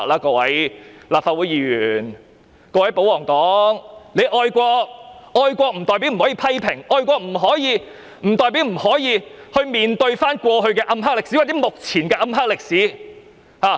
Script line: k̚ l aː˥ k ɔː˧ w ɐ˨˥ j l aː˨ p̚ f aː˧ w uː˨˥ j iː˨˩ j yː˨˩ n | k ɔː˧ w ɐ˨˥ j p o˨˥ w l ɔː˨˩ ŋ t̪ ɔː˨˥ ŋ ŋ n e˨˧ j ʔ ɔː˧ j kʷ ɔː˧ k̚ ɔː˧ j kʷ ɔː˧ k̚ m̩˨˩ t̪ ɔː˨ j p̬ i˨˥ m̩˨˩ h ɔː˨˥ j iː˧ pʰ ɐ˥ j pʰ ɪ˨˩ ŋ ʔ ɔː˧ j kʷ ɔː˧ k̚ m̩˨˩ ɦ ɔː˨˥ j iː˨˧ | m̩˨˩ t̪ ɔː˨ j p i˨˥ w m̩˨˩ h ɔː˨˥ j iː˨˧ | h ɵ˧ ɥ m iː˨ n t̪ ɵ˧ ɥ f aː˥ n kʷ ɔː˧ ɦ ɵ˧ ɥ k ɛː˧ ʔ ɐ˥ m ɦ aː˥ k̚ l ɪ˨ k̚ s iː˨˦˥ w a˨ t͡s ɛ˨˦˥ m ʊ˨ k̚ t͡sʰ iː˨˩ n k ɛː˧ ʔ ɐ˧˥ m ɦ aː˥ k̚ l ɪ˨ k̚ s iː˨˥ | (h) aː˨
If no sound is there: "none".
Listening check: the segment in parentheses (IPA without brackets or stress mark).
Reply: h